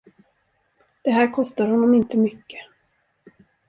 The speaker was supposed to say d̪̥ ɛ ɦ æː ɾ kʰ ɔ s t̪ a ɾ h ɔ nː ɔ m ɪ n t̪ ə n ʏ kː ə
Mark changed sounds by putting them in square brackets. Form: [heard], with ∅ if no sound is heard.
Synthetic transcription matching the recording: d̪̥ ɛ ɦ æː ɾ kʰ ɔ s t̪ a ɾ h ɔ nː ɔ m ɪ n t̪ ə [m] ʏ kː ə